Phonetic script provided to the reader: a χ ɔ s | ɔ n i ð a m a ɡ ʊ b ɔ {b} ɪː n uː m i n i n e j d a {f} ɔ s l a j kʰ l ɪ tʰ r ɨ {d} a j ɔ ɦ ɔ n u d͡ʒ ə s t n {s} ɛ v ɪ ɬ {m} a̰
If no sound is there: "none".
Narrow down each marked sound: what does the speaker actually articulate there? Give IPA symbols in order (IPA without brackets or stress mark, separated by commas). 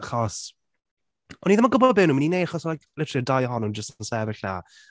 b, χ, d, s, n